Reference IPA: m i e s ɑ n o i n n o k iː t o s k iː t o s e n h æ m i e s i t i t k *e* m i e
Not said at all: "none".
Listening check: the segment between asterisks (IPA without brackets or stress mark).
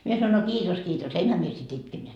e